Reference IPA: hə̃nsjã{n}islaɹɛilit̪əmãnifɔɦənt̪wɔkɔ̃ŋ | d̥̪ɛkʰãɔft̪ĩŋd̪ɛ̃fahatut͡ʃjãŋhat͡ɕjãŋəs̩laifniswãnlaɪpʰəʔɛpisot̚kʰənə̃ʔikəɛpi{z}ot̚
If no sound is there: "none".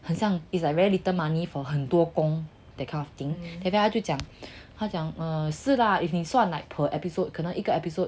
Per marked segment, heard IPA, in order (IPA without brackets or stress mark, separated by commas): ŋ, s